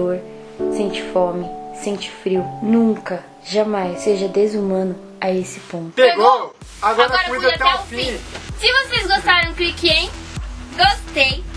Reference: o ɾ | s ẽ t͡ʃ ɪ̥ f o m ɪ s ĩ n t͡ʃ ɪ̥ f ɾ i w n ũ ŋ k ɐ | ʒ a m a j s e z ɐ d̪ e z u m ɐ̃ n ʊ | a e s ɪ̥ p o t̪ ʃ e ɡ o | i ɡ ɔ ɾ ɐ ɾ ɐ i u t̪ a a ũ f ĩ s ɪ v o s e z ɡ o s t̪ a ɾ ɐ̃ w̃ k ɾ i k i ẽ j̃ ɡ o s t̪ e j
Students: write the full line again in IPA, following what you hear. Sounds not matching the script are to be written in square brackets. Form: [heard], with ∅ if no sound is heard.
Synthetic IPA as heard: o ɾ | s ẽ t͡ʃ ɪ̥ f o m ɪ s [ẽ] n t͡ʃ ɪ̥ f ɾ i w n ũ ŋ k ɐ | ʒ a m a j s e [ʒ] ɐ d̪ e z u m ɐ̃ n ʊ | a e s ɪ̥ p [õ] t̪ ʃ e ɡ o | [a] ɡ ɔ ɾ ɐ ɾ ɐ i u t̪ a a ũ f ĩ s ɪ v o s e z ɡ o s t̪ a ɾ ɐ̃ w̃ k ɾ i k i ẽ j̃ ɡ o s t̪ e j